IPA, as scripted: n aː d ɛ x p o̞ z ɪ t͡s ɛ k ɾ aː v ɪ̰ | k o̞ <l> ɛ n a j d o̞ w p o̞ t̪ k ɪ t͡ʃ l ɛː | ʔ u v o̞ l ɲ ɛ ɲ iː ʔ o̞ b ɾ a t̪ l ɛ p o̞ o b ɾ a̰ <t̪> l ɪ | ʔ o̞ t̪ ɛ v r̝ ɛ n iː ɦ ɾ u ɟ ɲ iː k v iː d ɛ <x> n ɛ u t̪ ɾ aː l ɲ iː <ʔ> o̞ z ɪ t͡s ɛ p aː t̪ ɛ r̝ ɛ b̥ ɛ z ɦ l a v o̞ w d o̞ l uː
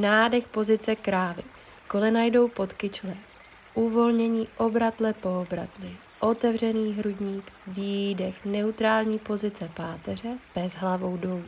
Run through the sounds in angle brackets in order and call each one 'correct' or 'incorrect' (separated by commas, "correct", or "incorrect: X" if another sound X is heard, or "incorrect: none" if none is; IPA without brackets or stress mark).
correct, correct, correct, incorrect: p